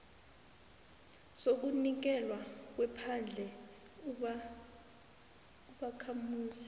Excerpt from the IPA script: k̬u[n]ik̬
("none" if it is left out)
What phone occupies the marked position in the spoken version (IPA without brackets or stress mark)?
n